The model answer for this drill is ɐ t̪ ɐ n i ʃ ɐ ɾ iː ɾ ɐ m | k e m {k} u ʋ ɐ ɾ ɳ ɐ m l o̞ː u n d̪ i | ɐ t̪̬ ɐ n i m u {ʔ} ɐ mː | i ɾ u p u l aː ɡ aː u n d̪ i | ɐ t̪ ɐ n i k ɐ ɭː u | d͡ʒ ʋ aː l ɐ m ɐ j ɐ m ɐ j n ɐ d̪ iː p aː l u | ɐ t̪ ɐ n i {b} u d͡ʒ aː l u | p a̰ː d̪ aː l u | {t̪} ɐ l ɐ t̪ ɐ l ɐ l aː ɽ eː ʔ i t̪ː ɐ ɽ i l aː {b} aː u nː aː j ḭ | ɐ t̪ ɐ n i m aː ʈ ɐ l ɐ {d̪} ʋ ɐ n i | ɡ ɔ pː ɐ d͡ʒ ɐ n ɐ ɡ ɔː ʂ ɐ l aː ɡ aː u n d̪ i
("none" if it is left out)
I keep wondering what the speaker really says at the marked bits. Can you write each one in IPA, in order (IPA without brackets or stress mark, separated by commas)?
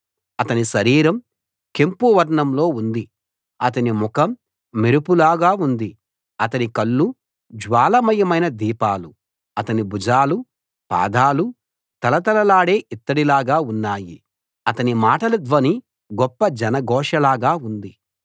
p, k, b, t̪, ɡ, d̪